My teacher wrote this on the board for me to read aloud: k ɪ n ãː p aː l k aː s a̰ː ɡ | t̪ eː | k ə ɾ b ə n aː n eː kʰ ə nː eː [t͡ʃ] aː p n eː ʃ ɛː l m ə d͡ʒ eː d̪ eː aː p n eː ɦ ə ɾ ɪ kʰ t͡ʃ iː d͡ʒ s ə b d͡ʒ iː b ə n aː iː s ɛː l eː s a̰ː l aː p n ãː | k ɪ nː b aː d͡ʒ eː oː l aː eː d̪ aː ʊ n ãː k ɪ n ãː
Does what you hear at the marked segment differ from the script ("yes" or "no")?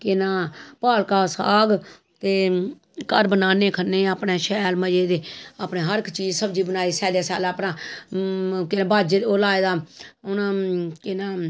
yes